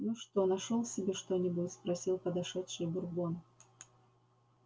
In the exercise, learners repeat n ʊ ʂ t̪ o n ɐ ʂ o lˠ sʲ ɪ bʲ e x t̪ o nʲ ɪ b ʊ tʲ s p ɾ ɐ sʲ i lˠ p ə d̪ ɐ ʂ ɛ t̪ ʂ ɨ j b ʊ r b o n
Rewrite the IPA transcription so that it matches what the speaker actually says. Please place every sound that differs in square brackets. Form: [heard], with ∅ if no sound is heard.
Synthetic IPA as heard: n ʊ ʂ t̪ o n ɐ ʂ o lˠ sʲ ɪ bʲ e [ʂ] t̪ o nʲ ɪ b ʊ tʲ s p ɾ ɐ sʲ i lˠ p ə d̪ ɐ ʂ ɛ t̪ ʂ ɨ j b ʊ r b o n